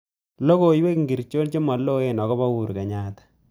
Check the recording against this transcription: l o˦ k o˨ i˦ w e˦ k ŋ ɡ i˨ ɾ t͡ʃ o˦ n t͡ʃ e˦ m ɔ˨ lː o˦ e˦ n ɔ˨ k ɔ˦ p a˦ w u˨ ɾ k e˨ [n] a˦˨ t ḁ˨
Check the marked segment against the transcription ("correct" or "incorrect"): incorrect